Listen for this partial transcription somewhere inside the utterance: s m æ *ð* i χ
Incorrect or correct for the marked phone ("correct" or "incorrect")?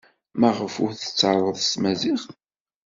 incorrect